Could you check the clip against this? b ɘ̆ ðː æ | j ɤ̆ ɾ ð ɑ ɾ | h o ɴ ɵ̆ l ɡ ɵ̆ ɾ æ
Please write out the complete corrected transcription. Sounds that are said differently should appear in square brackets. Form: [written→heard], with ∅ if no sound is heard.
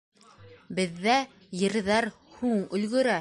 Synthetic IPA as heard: b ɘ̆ ðː æ | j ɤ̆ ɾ ð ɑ ɾ | h [o→u] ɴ ɵ̆ l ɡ ɵ̆ ɾ æ